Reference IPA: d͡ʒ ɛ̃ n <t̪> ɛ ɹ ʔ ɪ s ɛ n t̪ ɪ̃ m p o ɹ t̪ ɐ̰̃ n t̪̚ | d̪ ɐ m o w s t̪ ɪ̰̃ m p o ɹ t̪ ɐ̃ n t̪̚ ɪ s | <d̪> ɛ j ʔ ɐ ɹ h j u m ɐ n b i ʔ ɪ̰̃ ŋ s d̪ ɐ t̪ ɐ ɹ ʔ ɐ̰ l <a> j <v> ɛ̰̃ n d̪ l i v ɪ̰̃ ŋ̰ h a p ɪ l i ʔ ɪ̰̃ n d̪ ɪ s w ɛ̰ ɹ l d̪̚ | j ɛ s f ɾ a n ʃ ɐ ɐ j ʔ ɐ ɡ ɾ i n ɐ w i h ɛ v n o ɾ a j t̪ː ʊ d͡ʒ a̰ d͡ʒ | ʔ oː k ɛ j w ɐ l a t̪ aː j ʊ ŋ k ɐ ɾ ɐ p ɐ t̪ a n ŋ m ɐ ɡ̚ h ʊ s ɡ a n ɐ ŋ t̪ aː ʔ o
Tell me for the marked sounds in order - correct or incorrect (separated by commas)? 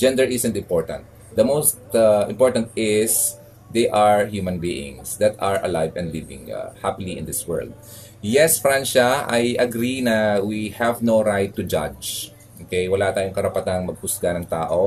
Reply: incorrect, correct, correct, correct